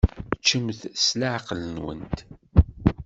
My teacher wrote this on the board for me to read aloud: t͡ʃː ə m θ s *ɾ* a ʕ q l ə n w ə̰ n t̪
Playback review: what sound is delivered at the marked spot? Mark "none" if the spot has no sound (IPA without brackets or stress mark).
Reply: l